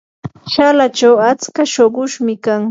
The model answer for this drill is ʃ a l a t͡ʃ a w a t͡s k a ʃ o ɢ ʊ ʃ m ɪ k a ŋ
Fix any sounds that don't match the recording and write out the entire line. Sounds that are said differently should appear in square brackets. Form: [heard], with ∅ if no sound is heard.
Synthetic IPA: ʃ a l a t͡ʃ a w a t͡s k a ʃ o ɢ ʊ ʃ m ɪ k a ŋ